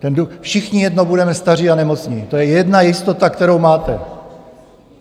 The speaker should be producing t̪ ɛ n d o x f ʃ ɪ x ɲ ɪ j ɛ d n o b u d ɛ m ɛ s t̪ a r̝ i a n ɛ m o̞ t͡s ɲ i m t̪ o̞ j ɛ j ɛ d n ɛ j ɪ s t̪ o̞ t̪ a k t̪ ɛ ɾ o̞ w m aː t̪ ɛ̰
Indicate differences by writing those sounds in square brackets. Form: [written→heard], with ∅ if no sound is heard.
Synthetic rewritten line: t̪ ɛ n d [o→u] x f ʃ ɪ x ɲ ɪ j ɛ d n o b u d ɛ m ɛ s t̪ a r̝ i a n ɛ m o̞ t͡s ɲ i [m→∅] t̪ o̞ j ɛ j ɛ d n [ɛ→a] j ɪ s t̪ o̞ t̪ a k t̪ ɛ ɾ o̞ w m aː t̪ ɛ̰